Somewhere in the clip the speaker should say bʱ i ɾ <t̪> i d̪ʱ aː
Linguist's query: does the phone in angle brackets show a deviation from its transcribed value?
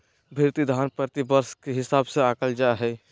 no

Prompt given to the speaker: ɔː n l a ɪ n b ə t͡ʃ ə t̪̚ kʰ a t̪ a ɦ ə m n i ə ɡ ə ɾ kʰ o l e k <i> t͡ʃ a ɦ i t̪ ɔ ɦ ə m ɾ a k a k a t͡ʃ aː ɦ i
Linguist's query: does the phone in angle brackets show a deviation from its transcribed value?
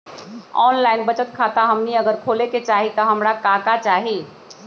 yes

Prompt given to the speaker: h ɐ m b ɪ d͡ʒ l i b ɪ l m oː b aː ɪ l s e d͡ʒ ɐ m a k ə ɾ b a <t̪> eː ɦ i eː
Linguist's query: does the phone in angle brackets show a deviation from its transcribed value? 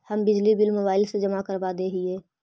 yes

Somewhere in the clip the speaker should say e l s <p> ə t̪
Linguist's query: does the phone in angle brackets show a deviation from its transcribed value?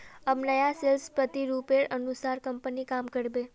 no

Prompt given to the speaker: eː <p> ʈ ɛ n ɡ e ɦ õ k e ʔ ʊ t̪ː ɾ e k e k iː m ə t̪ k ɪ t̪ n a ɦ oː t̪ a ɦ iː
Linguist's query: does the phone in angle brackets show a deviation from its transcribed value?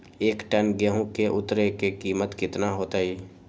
yes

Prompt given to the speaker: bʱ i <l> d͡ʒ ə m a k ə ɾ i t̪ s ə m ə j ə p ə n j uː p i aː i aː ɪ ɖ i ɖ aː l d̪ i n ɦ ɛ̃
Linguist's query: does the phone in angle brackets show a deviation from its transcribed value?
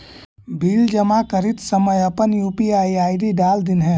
no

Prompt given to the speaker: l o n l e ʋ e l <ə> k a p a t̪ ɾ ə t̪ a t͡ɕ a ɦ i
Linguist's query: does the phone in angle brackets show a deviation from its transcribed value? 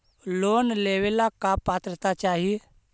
yes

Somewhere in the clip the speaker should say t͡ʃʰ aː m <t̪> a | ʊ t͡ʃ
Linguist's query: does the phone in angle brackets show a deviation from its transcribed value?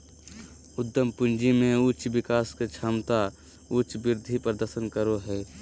no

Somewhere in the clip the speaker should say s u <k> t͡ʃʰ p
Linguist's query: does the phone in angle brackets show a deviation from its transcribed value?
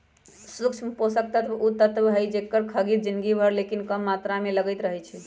no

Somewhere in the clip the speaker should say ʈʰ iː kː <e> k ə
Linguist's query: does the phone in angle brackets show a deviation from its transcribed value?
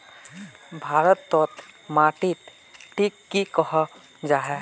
yes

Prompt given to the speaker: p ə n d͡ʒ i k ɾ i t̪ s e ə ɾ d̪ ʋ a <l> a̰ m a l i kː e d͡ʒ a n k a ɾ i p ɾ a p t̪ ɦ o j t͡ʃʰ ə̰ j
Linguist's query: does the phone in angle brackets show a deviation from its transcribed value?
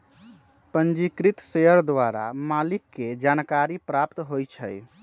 yes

